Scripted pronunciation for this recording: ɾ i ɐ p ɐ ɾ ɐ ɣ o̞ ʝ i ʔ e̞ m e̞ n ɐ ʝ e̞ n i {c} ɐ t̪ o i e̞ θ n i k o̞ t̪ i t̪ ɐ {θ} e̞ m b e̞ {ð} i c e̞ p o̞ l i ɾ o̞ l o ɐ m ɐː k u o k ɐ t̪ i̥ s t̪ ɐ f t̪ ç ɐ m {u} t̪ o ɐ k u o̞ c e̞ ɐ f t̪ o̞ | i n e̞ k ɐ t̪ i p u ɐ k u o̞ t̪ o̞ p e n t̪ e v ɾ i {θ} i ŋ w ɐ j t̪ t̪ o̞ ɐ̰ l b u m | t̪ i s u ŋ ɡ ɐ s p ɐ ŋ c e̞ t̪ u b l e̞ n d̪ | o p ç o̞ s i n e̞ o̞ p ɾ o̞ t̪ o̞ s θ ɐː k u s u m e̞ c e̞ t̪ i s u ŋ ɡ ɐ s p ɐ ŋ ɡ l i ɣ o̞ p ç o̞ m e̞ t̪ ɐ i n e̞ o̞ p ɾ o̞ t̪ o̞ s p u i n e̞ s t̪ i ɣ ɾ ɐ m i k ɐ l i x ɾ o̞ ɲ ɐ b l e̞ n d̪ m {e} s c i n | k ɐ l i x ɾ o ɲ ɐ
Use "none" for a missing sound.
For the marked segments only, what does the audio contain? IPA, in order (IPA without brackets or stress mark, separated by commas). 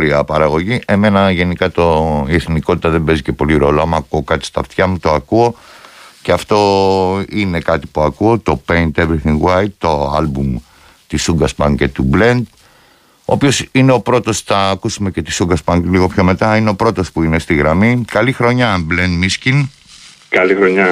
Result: k, ð, z, u, θ, i